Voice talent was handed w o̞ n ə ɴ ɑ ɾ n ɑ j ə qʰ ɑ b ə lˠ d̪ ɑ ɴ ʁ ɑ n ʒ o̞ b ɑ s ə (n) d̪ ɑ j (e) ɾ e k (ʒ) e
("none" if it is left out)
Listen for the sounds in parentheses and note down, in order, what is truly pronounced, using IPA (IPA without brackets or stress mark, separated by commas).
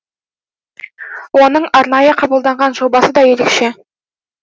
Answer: none, e, ʃ